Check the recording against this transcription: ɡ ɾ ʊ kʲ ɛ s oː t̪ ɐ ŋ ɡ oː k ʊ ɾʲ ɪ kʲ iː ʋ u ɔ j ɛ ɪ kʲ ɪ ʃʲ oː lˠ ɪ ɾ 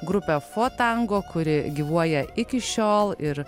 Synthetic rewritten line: ɡ ɾ ʊ pʲ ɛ f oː t̪ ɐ ŋ ɡ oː k ʊ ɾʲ ɪ ɡʲ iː ʋ u ɔ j ɛ ɪ kʲ ɪ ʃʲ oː lˠ ɪ ɾ